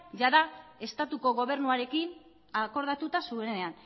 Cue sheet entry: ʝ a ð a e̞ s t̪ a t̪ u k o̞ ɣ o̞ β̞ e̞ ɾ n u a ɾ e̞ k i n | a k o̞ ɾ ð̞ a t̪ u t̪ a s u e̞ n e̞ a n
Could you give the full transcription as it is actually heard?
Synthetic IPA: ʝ a ð a e̞ s t̪ a t̪ u k o̞ ɣ o̞ β̞ e̞ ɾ n u a ɾ e̞ k i n | a k o̞ ɾ ð̞ a t̪ u t̪ a s u e̞ n e̞ a n